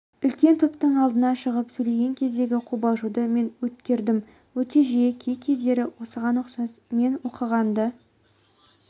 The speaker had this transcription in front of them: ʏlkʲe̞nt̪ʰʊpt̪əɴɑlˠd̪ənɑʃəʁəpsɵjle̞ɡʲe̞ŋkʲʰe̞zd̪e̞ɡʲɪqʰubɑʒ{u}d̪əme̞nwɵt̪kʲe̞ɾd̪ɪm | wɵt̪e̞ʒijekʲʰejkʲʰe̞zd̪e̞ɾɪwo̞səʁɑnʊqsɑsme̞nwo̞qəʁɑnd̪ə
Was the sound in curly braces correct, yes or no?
yes